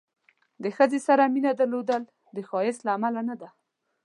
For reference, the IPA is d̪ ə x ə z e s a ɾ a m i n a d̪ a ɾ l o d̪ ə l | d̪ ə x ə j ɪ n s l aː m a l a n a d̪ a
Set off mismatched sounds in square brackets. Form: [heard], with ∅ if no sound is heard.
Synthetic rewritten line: d̪ ə x ə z e s a ɾ a m i n a d̪ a ɾ l o d̪ ə l | d̪ ə x [ɑ] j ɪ [∅] s l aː m a l a n a d̪ a